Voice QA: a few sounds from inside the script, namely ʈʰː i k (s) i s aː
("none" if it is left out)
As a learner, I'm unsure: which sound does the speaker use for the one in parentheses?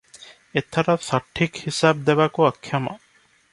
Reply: h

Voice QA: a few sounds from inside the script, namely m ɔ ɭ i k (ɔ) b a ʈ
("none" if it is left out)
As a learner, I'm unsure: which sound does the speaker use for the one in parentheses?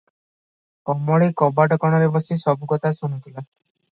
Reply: ɔ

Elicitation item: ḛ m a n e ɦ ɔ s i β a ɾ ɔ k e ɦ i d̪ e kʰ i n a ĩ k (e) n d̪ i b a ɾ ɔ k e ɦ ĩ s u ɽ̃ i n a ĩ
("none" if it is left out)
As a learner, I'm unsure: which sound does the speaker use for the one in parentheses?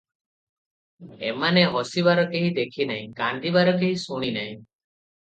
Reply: a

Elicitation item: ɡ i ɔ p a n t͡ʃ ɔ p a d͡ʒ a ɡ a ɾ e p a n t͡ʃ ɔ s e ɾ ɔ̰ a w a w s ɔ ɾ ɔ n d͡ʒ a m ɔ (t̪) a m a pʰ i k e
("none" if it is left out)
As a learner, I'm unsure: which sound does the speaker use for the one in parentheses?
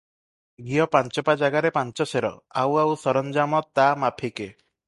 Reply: t̪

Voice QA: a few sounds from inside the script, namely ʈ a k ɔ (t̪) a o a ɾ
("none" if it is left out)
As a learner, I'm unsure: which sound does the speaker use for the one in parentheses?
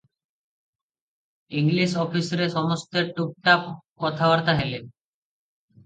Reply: t̪ʰ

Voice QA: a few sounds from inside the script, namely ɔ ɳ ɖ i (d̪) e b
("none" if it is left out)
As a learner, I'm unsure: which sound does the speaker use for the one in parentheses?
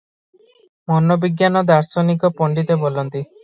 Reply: t̪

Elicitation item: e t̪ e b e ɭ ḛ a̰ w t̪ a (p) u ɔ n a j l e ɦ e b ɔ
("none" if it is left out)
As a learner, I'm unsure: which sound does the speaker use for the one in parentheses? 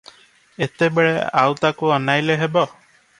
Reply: k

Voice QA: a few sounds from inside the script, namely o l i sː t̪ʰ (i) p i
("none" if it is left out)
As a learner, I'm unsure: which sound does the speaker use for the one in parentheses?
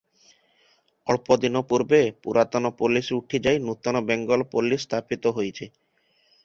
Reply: a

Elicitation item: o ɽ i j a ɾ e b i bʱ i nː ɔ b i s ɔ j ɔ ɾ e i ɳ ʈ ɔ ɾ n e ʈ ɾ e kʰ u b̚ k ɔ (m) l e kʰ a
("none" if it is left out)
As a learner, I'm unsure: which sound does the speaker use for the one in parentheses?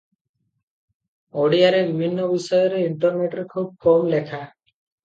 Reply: m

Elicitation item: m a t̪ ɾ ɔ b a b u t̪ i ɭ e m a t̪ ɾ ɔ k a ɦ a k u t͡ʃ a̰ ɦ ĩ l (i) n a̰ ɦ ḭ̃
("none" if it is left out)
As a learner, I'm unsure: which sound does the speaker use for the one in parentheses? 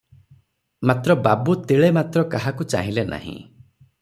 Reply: e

